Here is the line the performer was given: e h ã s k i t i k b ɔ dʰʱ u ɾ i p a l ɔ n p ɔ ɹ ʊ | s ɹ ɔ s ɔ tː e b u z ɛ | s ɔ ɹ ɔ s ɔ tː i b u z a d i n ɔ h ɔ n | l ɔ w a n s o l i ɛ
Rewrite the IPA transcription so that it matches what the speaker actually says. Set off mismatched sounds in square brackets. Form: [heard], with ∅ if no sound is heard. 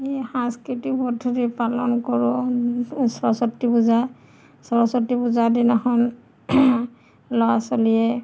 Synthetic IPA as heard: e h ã s k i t i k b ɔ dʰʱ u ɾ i p a l ɔ n [k] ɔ ɹ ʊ | s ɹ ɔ s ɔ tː [i] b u z [a] | s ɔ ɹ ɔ s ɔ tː i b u z a d i n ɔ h ɔ n | l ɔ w a [∅] s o l i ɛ